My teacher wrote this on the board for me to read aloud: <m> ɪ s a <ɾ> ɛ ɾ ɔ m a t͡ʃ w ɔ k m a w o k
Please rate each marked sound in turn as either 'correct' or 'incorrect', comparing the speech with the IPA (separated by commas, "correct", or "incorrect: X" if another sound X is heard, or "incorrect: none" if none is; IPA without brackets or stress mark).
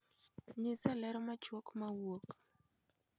incorrect: ɲ, incorrect: l